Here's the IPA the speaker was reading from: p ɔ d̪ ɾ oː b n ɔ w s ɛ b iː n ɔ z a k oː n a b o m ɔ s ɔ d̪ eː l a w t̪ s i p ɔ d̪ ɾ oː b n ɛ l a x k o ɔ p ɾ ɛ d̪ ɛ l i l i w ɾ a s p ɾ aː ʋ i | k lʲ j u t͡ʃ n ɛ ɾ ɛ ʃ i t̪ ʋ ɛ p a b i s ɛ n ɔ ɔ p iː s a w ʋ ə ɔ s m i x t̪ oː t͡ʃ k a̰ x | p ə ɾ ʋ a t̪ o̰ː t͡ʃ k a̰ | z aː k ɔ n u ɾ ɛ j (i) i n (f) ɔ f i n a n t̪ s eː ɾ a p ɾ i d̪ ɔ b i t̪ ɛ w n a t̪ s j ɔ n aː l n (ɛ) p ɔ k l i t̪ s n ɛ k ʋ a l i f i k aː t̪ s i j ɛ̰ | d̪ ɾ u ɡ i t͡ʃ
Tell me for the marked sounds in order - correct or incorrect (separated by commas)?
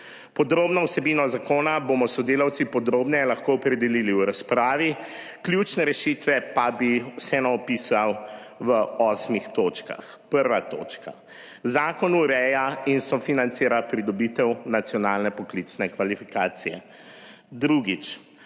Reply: incorrect, incorrect, correct